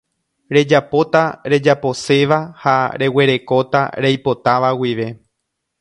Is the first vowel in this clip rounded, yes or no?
no